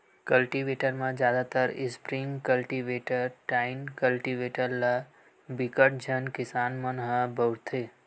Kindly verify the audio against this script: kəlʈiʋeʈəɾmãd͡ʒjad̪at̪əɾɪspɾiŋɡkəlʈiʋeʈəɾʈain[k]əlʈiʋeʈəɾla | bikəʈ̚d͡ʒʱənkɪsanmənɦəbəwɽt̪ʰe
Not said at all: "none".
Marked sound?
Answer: k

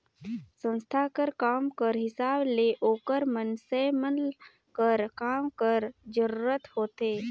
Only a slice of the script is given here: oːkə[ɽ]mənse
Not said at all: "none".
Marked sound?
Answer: ɾ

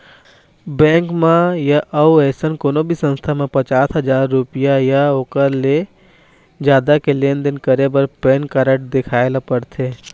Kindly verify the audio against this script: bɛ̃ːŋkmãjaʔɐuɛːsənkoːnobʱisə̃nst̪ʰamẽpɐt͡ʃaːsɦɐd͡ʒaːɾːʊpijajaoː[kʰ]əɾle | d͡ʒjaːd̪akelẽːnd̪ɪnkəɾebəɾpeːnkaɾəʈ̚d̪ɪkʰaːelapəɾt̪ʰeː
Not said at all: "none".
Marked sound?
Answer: k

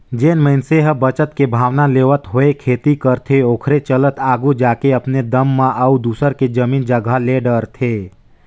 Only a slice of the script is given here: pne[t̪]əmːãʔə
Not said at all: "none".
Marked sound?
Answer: d̪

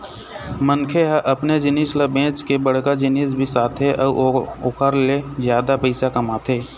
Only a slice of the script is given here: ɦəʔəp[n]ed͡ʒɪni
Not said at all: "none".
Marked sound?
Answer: n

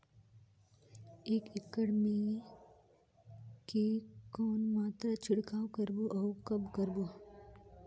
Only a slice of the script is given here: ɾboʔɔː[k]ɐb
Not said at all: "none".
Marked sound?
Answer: k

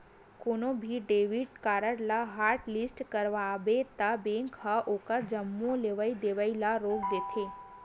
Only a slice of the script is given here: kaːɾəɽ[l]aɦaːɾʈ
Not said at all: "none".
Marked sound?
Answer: l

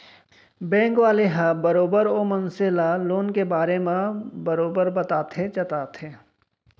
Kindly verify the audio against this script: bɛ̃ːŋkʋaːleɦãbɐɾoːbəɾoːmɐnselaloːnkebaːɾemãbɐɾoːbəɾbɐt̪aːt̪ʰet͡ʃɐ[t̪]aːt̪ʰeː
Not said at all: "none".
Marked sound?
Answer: t̪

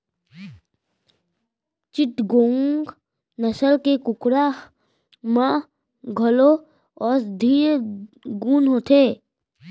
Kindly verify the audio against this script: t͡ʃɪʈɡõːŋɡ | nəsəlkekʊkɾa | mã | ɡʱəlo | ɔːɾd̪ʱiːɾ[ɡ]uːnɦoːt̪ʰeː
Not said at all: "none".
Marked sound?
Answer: ɡ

